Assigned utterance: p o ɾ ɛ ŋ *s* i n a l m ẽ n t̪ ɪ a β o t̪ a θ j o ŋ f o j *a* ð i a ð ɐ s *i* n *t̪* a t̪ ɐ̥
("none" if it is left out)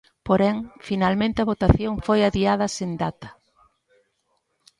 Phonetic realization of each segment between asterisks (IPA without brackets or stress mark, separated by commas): f, a, e, d̪